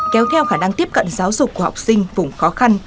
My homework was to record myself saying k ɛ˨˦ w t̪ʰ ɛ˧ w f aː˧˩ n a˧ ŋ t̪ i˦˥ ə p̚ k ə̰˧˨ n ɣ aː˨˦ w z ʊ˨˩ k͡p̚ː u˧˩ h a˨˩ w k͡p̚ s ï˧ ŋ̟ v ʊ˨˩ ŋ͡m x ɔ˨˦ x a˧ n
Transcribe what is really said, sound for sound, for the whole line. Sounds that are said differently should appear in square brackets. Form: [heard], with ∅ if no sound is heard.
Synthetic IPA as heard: k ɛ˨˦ w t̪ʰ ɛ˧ w [x] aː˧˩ n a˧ ŋ t̪ i˦˥ ə p̚ k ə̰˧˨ n [z] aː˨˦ w z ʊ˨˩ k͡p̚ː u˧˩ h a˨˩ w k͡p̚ s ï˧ ŋ̟ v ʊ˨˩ ŋ͡m x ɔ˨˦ x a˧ n